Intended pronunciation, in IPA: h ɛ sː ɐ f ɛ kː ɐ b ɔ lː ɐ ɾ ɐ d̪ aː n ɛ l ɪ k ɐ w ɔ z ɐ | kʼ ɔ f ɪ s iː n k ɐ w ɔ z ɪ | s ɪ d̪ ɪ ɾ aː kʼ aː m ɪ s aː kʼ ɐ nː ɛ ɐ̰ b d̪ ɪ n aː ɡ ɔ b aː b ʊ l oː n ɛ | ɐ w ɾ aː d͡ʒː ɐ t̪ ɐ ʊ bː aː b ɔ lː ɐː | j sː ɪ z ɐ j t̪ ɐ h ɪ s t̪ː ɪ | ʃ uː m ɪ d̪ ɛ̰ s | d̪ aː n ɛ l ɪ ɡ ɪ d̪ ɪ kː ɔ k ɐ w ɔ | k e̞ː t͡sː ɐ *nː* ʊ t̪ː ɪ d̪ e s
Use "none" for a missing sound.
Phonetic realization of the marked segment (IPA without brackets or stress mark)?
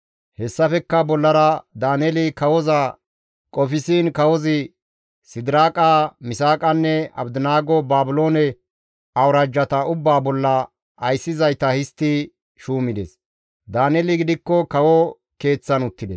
n